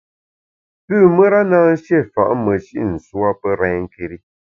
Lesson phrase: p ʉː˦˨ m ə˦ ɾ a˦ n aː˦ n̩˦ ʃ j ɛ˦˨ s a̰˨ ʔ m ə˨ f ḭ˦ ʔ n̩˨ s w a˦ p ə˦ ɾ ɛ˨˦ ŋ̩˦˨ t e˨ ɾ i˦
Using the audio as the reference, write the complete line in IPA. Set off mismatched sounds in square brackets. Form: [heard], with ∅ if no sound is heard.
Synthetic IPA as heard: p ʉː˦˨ m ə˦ ɾ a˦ n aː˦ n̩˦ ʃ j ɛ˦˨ [f] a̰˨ ʔ m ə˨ [ʃ] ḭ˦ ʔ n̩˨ s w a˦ p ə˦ ɾ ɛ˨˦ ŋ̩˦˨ [k] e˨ ɾ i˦

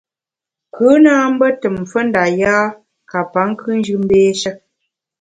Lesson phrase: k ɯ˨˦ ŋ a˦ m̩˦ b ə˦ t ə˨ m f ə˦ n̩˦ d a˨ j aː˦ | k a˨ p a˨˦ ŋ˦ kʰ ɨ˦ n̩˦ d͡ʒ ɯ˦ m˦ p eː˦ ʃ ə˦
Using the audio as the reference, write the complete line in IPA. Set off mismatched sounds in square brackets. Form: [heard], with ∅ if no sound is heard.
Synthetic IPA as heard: k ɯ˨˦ [n] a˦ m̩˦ b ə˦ t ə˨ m f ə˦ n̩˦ d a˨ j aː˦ | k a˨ p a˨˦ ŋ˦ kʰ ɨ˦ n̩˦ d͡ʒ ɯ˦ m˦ [b] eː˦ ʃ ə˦

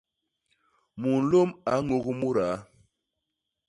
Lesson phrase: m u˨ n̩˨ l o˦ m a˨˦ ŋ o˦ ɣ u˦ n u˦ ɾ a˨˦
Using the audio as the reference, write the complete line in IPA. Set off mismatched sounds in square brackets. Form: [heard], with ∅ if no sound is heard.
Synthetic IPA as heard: m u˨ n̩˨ l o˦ m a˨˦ ŋ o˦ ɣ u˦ [m] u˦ ɾ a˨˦

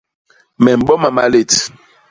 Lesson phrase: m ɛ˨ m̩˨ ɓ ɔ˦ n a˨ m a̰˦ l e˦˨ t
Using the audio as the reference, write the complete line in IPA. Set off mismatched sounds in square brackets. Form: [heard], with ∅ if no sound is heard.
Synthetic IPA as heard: m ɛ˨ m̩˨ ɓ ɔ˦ [m] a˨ m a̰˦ l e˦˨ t

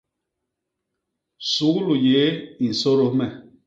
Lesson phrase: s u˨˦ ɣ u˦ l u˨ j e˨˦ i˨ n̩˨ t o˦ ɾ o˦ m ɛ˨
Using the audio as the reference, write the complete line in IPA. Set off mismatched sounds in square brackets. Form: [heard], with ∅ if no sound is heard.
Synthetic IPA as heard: s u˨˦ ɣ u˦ l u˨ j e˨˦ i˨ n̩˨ [s] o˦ ɾ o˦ m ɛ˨

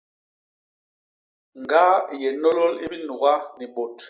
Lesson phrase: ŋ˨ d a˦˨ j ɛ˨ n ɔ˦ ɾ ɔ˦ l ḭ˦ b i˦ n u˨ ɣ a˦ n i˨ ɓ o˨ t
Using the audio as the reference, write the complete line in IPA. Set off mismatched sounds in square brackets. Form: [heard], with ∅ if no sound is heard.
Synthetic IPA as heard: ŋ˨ [ɡ] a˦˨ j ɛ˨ n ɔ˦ [l] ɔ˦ l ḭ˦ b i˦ n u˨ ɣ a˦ n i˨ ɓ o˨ t

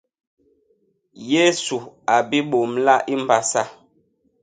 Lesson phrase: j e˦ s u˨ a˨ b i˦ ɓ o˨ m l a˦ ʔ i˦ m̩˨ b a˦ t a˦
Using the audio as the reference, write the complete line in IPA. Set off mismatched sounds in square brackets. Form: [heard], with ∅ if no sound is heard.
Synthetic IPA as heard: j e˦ s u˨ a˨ b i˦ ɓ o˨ m l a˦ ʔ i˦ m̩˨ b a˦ [s] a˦

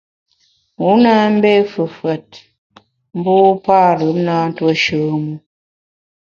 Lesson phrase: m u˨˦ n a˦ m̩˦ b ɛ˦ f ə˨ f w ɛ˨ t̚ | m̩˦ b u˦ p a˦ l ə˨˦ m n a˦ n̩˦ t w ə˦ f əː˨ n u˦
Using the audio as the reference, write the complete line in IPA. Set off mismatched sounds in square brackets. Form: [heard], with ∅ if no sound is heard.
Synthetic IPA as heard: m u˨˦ n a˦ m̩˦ b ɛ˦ f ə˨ f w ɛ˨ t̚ | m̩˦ b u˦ p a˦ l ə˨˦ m n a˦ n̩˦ t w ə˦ [ʃ] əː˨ [m] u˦

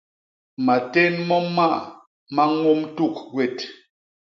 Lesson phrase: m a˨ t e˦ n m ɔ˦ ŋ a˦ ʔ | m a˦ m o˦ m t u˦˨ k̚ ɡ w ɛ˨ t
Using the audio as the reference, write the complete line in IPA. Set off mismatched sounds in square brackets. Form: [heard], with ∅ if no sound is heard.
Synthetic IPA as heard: m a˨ t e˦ n m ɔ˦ [m] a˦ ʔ | m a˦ [ŋ] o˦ m t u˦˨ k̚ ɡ w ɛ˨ t

